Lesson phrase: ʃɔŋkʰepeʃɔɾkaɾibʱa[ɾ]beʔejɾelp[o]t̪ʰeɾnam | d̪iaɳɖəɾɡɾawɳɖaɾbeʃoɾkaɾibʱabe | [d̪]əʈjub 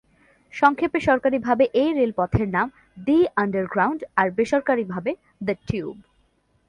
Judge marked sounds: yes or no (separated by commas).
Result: no, no, yes